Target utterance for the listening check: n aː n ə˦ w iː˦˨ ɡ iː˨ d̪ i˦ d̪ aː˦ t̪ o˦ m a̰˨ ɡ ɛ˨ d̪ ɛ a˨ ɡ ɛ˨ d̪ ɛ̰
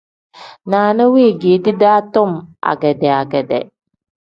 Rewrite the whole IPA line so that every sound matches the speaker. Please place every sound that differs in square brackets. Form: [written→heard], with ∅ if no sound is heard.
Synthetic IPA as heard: n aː n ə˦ w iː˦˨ ɡ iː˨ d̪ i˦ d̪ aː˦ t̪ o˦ m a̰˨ ɡ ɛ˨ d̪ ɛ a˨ ɡ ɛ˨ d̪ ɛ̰